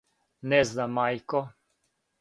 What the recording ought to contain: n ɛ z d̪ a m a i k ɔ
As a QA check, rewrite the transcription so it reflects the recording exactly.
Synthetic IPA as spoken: n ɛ z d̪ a m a j k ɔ